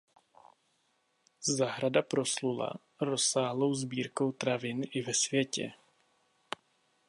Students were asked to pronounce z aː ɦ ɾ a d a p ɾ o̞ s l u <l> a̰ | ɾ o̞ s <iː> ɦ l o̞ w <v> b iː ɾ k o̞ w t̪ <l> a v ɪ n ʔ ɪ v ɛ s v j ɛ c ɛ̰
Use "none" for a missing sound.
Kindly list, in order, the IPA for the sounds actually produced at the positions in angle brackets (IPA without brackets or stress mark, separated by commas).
l, aː, z, ɾ